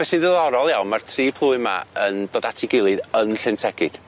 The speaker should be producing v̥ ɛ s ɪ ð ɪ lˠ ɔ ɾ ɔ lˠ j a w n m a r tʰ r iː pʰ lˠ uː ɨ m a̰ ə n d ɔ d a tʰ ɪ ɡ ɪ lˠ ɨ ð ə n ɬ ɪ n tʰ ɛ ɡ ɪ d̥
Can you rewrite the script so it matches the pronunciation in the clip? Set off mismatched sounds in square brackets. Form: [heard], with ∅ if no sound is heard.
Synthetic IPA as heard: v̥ ɛ s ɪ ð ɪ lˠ ɔ ɾ ɔ lˠ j a w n m a r tʰ r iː pʰ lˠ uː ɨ m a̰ ə n d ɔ d a tʰ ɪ ɡ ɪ lˠ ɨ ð ə n ɬ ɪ n tʰ ɛ ɡ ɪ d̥